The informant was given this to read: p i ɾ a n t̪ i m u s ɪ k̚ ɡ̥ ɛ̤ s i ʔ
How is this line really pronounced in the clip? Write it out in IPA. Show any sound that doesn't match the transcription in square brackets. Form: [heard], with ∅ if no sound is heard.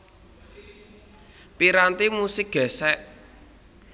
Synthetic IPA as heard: p i ɾ a n t̪ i m u s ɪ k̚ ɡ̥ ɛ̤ s [ɛ] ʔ